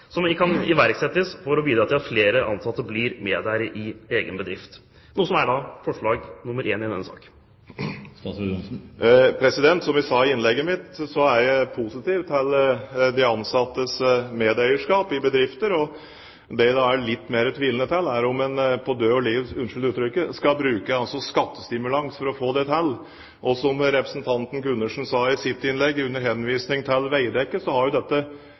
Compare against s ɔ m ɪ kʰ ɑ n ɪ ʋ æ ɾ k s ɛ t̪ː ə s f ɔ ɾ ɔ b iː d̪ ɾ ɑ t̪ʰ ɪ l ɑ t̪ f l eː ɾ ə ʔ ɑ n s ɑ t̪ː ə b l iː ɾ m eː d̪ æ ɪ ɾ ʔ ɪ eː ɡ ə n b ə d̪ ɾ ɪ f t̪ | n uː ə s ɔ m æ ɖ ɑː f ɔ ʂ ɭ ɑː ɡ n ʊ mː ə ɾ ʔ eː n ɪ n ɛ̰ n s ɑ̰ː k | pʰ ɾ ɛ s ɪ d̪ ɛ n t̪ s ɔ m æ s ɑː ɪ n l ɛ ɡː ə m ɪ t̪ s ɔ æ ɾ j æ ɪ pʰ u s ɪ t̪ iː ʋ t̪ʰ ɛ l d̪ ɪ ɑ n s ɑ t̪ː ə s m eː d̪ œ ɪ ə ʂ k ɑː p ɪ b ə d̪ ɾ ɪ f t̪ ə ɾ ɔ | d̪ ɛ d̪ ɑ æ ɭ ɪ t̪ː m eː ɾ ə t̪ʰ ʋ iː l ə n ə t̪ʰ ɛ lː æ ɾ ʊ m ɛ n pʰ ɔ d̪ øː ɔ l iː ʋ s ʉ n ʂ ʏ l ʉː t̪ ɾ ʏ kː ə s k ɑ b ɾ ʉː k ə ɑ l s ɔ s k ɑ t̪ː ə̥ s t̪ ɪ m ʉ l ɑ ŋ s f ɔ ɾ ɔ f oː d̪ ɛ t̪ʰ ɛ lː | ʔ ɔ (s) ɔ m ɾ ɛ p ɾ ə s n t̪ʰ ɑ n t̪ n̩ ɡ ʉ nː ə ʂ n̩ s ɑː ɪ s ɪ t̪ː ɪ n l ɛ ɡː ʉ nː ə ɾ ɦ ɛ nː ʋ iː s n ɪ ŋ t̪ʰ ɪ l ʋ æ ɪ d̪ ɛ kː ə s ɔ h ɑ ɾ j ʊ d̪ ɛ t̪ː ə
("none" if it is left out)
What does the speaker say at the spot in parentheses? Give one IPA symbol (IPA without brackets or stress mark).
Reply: s